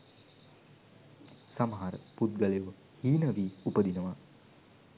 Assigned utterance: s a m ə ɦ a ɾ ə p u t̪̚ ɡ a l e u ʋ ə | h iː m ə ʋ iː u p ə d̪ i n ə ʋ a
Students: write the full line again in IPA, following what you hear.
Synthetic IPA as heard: s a m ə ɦ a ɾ ə p u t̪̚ ɡ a l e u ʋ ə | h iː n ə ʋ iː u p ə d̪ i n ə ʋ a